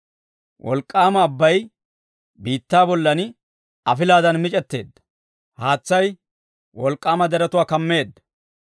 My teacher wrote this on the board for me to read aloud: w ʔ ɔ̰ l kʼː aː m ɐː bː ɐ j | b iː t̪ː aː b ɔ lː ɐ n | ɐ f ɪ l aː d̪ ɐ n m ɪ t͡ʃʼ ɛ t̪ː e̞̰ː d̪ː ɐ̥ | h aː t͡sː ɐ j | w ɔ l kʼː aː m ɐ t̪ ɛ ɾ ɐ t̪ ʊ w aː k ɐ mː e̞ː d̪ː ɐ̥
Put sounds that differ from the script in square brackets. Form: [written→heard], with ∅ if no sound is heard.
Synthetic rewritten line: w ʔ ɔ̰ l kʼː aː m ɐː bː ɐ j | b iː t̪ː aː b ɔ lː ɐ n | ɐ f ɪ l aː d̪ ɐ n m ɪ t͡ʃʼ ɛ t̪ː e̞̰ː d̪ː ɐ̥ | h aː t͡sː ɐ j | w ɔ l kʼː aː m ɐ [t̪→d̪] ɛ ɾ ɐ t̪ ʊ w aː k ɐ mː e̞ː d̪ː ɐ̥

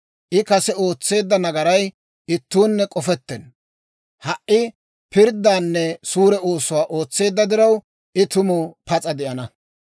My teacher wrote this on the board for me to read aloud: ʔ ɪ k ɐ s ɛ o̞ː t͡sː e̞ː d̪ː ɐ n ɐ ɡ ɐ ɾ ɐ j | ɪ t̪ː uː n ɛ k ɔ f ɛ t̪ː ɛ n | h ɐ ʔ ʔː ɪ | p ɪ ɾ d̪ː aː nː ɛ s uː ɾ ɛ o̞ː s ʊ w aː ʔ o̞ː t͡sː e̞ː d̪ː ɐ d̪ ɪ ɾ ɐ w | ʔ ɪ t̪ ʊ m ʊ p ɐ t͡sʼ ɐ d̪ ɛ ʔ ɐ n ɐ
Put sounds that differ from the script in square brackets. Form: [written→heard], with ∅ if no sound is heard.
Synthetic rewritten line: ʔ ɪ k ɐ s ɛ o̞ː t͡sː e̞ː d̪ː ɐ n ɐ ɡ ɐ ɾ ɐ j | ɪ t̪ː uː [n→nː] ɛ [k→kʼ] ɔ f ɛ t̪ː ɛ n | h ɐ ʔ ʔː ɪ | p ɪ ɾ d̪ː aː nː ɛ s uː ɾ ɛ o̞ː s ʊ w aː ʔ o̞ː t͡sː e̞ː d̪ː ɐ d̪ ɪ ɾ ɐ w | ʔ ɪ t̪ ʊ m ʊ p ɐ t͡sʼ ɐ d̪ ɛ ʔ ɐ n ɐ

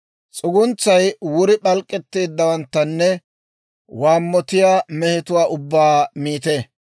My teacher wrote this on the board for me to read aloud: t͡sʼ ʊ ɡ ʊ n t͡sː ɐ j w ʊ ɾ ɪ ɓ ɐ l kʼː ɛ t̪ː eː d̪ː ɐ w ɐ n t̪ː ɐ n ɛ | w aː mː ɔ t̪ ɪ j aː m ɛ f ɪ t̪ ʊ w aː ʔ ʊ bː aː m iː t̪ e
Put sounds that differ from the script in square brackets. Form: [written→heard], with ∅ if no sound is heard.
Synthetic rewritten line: t͡sʼ ʊ ɡ ʊ n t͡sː ɐ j w ʊ ɾ ɪ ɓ ɐ l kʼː ɛ t̪ː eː d̪ː ɐ w ɐ n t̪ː ɐ [n→nː] ɛ | w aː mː ɔ t̪ ɪ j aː m ɛ [f→h] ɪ t̪ ʊ w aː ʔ ʊ bː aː m iː t̪ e

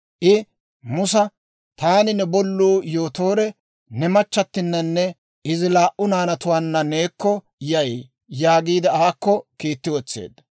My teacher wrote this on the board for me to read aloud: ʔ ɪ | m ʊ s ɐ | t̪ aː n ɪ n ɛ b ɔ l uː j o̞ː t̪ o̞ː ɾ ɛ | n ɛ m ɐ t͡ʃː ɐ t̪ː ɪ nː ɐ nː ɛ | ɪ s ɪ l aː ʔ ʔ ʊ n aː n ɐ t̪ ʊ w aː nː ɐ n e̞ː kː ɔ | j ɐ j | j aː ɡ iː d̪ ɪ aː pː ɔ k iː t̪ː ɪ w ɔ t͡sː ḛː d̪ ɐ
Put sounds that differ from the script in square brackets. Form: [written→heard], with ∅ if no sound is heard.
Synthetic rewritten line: ʔ ɪ | m ʊ s ɐ | t̪ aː n ɪ n ɛ b ɔ [l→lː] uː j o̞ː t̪ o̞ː ɾ ɛ | n ɛ m ɐ t͡ʃː ɐ t̪ː ɪ nː ɐ nː ɛ | ɪ [s→z] ɪ l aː ʔ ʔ ʊ n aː n ɐ t̪ ʊ w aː nː ɐ n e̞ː kː ɔ | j ɐ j | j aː ɡ iː d̪ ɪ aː [pː→kː] ɔ k iː t̪ː ɪ w ɔ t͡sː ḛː d̪ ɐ

